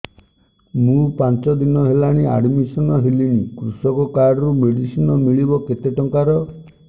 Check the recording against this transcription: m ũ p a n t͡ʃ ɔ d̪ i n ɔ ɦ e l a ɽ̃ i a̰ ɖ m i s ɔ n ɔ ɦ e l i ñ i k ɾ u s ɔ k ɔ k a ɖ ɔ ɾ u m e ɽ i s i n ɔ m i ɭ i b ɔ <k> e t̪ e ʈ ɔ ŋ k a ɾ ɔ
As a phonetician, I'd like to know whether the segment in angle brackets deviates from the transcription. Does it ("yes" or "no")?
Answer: no